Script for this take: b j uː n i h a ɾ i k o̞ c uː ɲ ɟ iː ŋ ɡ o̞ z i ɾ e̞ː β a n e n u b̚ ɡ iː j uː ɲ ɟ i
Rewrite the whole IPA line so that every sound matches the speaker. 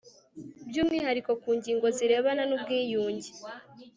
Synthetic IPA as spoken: b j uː m i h a ɾ i k o̞ k uː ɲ ɟ iː ŋ ɡ o̞ z i ɾ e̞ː β a n a n u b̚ ɡ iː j uː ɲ ɟ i